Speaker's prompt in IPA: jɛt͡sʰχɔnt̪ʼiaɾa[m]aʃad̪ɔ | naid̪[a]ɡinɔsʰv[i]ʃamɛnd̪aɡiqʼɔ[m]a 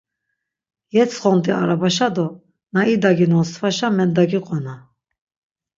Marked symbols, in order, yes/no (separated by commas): no, yes, no, no